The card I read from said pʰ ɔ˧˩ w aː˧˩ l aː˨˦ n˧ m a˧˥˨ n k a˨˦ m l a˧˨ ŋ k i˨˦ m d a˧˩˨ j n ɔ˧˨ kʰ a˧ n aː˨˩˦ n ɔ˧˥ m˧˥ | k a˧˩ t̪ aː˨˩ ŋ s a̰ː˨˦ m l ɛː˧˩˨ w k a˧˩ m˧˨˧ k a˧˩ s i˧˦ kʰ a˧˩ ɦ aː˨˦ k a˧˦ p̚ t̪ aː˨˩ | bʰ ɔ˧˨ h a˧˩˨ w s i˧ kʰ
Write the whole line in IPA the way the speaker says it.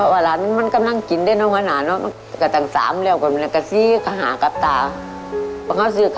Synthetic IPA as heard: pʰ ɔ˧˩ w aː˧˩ l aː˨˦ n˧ m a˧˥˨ n k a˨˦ m l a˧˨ ŋ k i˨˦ n d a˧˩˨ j n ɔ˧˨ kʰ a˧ n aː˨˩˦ n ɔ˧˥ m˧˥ | k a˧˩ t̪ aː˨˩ ŋ s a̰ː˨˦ m l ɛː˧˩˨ w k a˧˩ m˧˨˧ k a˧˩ s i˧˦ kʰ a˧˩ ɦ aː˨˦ k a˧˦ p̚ t̪ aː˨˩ | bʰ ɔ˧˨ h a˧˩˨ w s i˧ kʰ